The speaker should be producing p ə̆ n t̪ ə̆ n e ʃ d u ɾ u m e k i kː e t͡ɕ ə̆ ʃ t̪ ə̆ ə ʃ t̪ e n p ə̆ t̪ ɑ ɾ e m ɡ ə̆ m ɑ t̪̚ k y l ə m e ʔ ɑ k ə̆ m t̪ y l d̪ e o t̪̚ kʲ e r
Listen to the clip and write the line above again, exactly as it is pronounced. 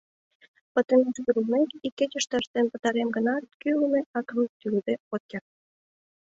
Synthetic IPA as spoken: p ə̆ t̪ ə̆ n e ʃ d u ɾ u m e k i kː e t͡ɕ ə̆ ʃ t̪ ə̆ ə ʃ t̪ e n p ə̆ t̪ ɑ ɾ e m ɡ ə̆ n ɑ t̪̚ k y l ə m e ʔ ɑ k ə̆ m t̪ y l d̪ e o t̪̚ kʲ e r